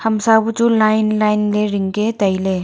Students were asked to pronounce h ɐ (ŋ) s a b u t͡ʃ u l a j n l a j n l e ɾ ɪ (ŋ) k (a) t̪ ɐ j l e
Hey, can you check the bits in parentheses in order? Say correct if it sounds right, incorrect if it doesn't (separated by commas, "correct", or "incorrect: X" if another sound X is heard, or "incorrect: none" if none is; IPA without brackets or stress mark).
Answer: incorrect: m, correct, incorrect: e